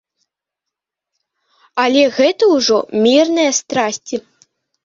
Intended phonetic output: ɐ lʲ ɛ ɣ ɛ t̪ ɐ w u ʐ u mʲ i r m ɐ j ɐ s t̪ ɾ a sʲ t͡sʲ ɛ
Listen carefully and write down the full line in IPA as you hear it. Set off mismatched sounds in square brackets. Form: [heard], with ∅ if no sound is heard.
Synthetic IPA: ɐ lʲ ɛ ɣ ɛ t̪ ɐ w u ʐ [ɔ] mʲ i r [n] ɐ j ɐ s t̪ ɾ a sʲ t͡sʲ [i]